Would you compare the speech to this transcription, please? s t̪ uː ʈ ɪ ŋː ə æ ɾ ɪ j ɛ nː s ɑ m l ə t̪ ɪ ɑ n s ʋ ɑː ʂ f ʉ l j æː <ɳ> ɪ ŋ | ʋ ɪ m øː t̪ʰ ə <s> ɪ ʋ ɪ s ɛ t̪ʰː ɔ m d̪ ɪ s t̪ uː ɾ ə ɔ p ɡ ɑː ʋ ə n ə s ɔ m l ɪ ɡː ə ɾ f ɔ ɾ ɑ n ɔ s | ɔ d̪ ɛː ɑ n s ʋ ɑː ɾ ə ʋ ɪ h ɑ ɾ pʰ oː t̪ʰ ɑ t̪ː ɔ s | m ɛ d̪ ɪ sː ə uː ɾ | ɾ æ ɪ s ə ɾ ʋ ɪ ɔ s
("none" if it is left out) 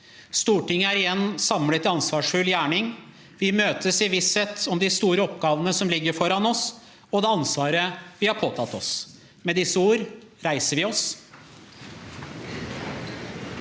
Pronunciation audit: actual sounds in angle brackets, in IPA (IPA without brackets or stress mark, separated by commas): ɳ, s